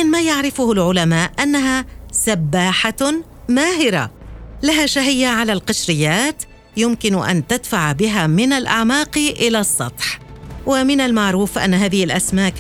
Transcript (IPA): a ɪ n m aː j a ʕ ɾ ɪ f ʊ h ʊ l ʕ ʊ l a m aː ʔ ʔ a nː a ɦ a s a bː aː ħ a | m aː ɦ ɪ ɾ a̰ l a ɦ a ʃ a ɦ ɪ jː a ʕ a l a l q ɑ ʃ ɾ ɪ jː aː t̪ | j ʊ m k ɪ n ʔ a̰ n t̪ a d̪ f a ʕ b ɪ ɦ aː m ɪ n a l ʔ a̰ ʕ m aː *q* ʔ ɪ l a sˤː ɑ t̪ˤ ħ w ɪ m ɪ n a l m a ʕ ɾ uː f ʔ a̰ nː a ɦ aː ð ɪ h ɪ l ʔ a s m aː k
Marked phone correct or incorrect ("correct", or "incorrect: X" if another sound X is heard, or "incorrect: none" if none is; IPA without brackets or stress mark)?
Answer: correct